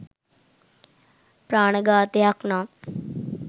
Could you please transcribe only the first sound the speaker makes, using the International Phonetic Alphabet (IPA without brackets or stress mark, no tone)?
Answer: p